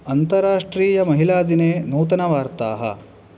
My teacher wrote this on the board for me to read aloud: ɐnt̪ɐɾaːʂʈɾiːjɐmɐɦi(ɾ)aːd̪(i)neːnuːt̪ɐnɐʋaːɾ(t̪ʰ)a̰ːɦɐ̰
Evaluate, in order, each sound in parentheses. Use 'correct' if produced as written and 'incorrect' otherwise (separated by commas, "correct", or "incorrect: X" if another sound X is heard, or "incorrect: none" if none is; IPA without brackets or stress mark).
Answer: incorrect: l, correct, incorrect: t̪